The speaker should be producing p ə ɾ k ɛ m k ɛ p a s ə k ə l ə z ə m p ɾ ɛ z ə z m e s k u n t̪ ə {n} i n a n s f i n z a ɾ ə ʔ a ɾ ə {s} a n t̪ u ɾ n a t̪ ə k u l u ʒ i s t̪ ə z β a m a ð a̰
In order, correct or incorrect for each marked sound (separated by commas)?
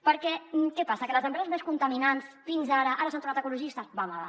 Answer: incorrect, correct